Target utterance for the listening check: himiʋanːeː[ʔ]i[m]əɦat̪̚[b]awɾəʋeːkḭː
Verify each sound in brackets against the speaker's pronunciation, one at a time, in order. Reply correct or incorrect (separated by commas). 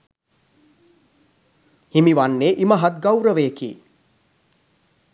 correct, correct, incorrect